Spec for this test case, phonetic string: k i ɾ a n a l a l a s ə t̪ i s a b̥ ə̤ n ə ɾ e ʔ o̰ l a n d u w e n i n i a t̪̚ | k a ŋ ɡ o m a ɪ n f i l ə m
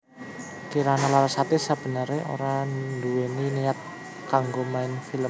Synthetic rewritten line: k i ɾ a n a l a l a s a t̪ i s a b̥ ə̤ n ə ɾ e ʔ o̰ ɾ a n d u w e n i n i a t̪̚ | k a ŋ ɡ o m a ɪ n f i l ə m